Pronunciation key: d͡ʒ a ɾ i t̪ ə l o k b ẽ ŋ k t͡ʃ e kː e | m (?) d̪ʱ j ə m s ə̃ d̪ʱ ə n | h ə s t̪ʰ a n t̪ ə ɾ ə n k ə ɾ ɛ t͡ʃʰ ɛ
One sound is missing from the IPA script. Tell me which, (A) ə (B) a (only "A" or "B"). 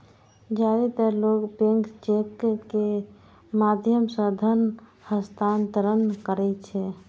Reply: B